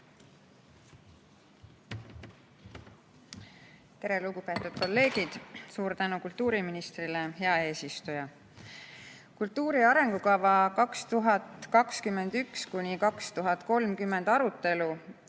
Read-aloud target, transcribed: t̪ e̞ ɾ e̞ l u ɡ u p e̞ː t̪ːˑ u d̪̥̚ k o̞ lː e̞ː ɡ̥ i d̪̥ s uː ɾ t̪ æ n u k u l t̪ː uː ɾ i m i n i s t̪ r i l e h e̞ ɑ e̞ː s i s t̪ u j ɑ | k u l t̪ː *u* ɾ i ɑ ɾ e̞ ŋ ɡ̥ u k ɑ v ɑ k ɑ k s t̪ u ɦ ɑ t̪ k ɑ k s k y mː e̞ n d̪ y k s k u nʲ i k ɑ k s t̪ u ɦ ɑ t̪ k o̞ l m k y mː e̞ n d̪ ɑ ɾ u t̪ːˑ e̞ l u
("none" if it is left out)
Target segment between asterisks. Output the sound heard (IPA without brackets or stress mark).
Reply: uː